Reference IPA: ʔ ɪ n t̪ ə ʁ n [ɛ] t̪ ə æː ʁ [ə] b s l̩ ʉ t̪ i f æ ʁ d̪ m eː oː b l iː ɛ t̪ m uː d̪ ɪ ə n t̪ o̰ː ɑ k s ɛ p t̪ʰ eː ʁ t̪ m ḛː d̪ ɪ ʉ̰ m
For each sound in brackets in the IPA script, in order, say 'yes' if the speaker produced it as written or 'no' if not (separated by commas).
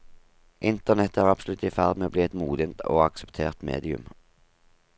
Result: yes, no